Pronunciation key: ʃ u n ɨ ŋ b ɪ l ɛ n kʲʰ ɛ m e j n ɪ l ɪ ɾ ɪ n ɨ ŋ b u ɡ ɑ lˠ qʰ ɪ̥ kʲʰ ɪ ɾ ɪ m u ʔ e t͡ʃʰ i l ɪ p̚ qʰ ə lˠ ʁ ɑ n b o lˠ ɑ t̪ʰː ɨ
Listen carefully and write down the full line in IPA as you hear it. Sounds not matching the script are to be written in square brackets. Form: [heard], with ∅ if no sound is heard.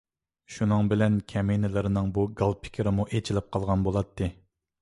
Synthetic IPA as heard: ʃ u n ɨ ŋ b ɪ l ɛ n kʲʰ ɛ m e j n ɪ l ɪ ɾ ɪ n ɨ ŋ b u ɡ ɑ lˠ [pʰ] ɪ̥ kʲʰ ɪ ɾ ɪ m u ʔ e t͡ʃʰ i l ɪ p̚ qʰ [ɑ] lˠ ʁ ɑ n b o lˠ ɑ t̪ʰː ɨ